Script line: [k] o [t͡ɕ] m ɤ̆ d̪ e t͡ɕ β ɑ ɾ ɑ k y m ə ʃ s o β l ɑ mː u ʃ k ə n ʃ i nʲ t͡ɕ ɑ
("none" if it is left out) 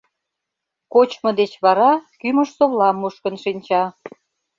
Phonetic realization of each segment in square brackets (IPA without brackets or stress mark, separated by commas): k, t͡ɕ